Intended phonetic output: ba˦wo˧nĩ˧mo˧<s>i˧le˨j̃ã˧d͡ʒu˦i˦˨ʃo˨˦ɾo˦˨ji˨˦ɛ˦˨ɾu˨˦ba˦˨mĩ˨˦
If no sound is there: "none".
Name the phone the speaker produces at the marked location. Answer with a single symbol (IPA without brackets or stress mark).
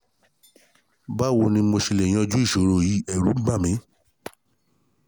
ʃ